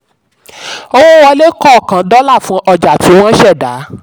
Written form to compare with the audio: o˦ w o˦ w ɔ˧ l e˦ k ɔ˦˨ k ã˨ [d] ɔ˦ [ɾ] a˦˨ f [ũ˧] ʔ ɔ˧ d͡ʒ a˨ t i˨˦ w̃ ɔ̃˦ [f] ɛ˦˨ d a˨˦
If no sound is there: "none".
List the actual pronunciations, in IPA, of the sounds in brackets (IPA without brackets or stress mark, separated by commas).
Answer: d, l, ũ˧, ʃ